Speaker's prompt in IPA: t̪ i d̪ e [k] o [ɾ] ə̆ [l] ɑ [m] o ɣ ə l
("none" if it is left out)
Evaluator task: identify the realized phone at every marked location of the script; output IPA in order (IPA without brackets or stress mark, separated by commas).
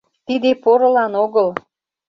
p, ɾ, l, n